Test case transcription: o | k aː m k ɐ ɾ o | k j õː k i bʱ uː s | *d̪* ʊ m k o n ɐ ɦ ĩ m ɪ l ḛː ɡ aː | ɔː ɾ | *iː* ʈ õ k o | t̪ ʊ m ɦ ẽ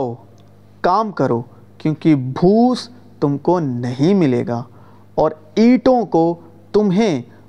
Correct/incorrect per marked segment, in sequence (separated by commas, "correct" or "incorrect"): incorrect, correct